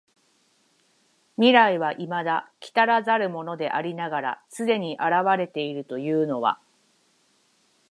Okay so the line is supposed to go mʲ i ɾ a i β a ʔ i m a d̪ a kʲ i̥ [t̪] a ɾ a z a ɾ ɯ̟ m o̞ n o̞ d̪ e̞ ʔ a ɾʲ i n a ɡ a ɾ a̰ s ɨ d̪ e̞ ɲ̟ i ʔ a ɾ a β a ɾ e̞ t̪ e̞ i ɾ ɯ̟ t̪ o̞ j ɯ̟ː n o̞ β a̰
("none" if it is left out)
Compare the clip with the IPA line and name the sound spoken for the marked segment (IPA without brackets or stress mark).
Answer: t̪